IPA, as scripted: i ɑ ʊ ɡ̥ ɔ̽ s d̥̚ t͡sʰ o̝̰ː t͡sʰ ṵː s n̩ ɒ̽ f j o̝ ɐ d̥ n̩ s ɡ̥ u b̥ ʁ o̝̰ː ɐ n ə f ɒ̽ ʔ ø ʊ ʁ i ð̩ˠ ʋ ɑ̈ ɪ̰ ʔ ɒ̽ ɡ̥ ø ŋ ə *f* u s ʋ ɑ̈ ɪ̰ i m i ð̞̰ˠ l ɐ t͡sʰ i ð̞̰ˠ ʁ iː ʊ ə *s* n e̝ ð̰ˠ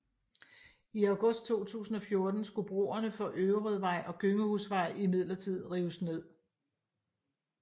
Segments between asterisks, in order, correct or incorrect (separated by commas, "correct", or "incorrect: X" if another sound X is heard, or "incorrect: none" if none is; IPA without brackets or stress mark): incorrect: h, correct